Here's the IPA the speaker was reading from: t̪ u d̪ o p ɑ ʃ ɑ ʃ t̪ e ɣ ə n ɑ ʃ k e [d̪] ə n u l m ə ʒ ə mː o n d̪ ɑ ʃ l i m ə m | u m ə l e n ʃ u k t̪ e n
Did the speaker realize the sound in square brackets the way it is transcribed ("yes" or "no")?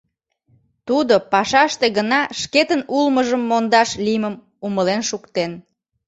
no